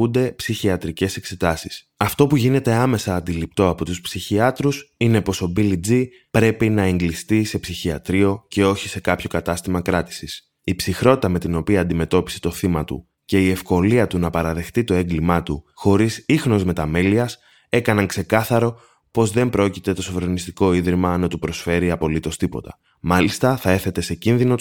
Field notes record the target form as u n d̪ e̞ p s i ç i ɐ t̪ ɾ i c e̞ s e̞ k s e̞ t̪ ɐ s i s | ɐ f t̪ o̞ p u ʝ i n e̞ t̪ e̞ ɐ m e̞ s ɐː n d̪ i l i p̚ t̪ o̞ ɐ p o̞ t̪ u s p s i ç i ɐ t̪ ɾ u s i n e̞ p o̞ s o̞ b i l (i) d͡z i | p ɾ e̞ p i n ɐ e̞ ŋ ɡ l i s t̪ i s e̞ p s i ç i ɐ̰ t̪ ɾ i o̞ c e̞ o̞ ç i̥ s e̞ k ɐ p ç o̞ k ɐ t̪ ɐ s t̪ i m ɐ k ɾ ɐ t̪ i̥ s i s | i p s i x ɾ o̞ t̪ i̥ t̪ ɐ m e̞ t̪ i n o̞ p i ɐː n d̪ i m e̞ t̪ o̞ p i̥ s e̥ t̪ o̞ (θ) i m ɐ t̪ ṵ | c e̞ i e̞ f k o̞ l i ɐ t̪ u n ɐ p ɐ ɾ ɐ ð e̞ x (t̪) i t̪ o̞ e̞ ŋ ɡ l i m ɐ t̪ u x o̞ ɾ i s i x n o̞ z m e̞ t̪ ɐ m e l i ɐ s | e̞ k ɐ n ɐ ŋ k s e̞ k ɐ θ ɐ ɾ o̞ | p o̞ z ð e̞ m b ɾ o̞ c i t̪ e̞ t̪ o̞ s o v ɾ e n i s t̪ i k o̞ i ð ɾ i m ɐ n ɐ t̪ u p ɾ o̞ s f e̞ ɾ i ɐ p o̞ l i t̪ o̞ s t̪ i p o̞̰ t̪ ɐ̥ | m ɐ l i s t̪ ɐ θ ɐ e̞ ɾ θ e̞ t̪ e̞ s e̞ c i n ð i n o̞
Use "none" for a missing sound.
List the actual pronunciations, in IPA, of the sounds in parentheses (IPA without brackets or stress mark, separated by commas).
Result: i, θ, t̪